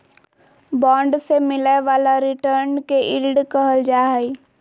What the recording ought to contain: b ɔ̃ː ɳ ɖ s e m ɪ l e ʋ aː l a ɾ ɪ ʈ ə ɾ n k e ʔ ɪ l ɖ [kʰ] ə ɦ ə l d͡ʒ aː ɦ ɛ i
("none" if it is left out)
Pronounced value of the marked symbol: k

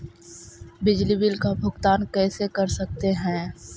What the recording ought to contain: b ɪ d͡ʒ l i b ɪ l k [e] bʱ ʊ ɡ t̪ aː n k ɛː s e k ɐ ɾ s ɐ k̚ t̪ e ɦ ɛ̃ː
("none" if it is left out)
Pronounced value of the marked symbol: a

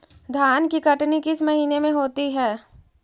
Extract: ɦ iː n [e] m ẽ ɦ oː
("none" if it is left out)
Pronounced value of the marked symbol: e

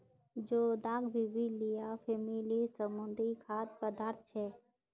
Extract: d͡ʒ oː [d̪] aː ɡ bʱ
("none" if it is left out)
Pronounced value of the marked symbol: d̪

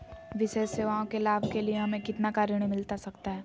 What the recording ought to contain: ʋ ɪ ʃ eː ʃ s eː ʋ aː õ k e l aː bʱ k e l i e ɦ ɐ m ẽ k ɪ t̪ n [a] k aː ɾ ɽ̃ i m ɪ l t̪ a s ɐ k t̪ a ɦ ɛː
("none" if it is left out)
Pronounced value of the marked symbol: a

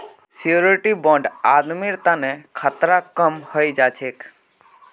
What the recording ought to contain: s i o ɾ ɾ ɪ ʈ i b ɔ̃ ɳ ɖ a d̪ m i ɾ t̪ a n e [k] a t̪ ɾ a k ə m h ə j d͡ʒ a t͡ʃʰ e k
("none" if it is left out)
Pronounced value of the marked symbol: kʰ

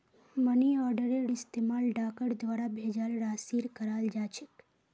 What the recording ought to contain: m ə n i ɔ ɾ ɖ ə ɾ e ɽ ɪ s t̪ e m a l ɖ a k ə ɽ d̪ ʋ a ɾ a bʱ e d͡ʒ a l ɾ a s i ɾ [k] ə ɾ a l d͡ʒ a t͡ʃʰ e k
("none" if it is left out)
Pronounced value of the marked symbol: k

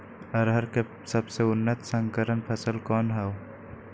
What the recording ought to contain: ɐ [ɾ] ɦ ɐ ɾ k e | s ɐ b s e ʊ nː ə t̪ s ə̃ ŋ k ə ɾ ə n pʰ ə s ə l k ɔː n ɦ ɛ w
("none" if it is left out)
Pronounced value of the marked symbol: ɾ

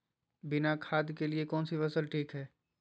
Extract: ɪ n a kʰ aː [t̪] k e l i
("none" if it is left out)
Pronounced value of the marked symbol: d̪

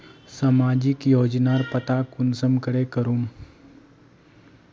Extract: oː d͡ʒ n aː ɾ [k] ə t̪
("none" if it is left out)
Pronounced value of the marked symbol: p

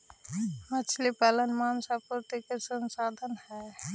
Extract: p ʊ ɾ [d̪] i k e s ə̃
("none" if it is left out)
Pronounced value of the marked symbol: t̪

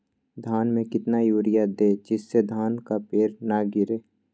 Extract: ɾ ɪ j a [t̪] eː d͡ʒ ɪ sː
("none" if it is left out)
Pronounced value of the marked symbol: d̪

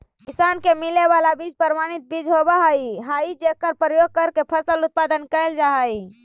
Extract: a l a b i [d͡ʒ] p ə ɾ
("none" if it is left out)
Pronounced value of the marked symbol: d͡ʒ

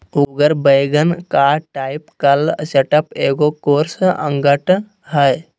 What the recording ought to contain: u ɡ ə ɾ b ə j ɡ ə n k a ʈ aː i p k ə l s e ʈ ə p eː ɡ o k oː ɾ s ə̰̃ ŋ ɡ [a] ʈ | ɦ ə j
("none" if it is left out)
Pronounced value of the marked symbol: ə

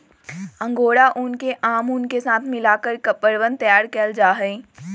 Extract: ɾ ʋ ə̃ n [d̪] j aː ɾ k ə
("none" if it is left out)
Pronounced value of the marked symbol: t̪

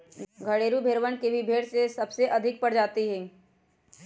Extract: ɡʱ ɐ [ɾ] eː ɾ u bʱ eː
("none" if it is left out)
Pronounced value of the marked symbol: ɽ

